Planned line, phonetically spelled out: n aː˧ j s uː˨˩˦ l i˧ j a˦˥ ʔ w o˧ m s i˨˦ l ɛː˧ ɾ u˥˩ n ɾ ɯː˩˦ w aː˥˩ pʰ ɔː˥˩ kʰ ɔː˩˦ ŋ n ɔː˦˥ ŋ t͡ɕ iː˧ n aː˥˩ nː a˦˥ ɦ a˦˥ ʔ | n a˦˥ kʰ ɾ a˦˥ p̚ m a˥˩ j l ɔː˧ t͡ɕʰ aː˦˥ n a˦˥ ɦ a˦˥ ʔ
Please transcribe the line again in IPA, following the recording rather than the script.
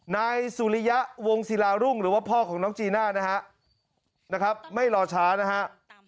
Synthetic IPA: n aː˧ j s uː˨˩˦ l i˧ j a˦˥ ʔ w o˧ ŋ s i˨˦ l aː˧ ɾ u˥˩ ŋ ɾ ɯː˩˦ w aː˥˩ pʰ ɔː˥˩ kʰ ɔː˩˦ ŋ n ɔː˦˥ ŋ t͡ɕ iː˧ n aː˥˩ n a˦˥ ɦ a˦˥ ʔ | n a˦˥ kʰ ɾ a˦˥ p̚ m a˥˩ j l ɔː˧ t͡ɕʰ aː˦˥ n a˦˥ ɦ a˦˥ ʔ